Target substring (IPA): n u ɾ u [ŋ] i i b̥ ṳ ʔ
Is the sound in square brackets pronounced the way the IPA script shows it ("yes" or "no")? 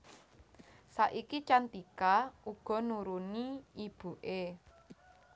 no